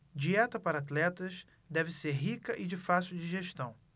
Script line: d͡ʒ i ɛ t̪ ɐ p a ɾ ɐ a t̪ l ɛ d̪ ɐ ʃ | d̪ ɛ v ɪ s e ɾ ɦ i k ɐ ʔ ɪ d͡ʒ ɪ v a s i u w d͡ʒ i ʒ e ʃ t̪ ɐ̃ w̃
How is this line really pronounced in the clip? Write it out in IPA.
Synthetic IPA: d͡ʒ i ɛ t̪ ɐ p a ɾ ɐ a t̪ l ɛ t̪ ɐ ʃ | d̪ ɛ v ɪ s e ɾ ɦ i k ɐ ʔ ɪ d͡ʒ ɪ f a s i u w d͡ʒ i ʒ e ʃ t̪ ɐ̃ w̃